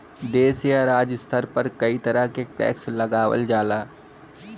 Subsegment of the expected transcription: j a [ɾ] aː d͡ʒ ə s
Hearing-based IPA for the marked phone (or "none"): ɾ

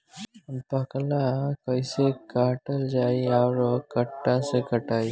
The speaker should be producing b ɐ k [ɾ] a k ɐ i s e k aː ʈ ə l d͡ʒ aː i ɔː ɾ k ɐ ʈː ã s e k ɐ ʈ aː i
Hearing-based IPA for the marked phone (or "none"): l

